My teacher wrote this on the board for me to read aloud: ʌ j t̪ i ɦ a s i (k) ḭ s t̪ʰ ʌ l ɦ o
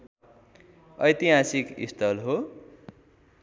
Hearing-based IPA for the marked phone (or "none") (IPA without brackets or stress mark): k